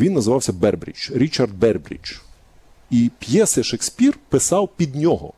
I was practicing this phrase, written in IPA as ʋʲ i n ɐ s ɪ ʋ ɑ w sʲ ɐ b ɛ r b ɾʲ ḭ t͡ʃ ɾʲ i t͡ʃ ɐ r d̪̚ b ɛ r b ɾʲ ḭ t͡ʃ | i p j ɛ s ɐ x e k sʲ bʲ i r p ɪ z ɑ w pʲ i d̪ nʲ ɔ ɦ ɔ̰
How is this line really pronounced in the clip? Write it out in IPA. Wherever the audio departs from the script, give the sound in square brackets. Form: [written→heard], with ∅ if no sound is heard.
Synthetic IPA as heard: ʋʲ i [n→nː] ɐ [s→z] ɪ ʋ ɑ w sʲ ɐ b ɛ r b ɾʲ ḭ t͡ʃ ɾʲ i t͡ʃ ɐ r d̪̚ b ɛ r b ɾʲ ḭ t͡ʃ | i p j ɛ s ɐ [x→ʃ] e k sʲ [bʲ→pʲ] i r p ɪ [z→s] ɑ w pʲ i d̪ nʲ ɔ ɦ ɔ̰